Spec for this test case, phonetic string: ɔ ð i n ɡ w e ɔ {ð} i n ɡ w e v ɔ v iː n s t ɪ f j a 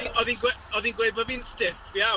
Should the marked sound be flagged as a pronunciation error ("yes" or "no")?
no